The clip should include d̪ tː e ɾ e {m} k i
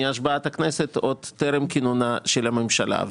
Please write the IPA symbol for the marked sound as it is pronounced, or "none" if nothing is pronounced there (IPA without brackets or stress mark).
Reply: m